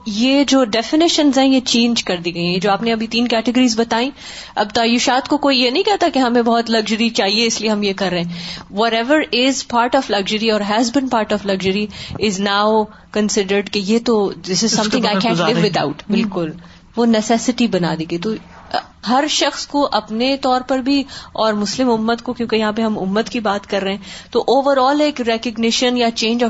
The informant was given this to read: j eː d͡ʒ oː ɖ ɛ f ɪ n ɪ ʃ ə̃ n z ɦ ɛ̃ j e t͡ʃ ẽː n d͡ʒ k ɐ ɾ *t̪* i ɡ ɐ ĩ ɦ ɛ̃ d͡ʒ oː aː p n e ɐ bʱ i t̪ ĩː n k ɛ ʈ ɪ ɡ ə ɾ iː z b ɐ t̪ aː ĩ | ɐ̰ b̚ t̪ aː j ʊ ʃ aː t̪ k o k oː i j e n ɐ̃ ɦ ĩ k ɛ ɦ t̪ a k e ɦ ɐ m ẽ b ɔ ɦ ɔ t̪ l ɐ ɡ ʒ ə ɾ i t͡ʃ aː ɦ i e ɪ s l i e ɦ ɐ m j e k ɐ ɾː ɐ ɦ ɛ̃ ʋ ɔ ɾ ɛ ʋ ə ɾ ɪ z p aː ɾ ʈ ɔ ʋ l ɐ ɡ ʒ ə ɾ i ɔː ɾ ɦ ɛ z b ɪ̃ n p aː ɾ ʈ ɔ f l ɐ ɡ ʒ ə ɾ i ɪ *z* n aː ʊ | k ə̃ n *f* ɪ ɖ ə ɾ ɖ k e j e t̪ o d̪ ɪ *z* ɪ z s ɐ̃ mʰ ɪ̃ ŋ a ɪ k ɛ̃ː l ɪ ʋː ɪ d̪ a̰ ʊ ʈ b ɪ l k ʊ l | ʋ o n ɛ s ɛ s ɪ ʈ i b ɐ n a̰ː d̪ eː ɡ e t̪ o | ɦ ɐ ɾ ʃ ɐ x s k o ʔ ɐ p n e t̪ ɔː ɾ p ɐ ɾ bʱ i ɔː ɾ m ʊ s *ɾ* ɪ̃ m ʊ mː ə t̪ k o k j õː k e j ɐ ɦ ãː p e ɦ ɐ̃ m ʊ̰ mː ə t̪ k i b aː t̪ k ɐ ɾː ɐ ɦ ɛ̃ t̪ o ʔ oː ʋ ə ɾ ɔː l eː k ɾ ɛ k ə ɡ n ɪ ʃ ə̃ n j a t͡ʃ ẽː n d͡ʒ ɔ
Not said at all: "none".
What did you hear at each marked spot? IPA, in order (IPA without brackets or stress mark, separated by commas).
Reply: d̪, z, s, s, l